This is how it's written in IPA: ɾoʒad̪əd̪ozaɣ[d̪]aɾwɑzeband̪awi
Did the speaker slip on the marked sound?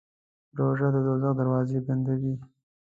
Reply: no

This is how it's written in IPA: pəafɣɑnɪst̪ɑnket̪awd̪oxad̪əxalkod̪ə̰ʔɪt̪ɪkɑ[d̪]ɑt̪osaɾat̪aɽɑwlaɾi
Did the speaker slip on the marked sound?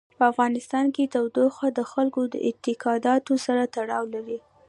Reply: no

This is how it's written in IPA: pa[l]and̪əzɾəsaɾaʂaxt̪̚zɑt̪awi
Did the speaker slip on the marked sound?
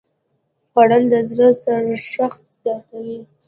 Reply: yes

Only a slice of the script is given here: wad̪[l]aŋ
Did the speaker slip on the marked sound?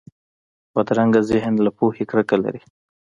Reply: yes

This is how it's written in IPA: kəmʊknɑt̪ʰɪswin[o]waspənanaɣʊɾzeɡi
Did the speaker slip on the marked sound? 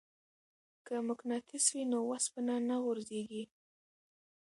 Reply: no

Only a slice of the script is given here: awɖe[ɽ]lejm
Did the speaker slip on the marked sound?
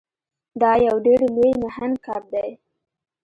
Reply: no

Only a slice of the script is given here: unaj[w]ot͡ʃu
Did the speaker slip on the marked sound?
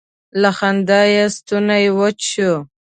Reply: no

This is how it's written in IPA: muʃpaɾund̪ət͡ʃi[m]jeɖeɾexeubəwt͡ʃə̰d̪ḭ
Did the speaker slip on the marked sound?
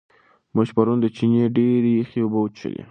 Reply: yes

